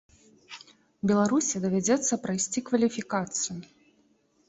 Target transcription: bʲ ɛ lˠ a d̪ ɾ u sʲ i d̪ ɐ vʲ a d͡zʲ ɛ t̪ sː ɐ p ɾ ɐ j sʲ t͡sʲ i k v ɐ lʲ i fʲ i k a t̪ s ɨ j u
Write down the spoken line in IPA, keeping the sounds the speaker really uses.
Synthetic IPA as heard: bʲ ɛ lˠ a ɾ u sʲ i d̪ ɐ vʲ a d͡zʲ ɛ t̪ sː ɐ p ɾ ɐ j sʲ t͡sʲ i k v ɐ lʲ i fʲ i k a t̪ s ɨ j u